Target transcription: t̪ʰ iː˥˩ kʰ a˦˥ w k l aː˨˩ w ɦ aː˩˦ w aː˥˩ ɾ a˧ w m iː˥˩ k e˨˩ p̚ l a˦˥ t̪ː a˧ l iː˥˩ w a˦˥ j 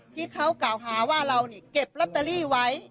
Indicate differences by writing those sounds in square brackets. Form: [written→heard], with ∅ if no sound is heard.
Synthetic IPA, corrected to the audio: t̪ʰ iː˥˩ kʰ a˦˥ w k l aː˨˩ w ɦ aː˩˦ w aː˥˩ ɾ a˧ w [m→n] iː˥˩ k e˨˩ p̚ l a˦˥ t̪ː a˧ l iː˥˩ w a˦˥ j